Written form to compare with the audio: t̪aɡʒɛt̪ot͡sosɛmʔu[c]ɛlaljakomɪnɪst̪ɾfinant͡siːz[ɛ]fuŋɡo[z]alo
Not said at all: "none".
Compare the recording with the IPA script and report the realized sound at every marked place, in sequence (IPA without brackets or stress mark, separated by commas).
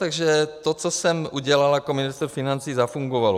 ɟ, a, v